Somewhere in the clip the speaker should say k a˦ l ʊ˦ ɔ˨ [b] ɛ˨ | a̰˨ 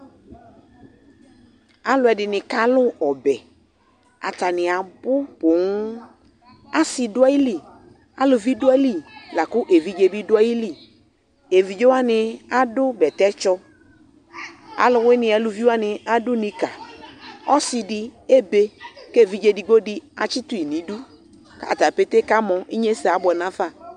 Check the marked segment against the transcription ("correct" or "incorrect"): correct